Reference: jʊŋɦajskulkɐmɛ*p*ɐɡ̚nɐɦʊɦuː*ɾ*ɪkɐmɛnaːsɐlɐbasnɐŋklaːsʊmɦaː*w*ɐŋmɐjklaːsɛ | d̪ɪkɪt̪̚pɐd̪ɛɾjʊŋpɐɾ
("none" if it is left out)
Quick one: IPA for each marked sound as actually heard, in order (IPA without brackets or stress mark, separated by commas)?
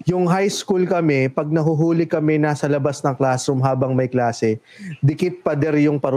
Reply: p, l, b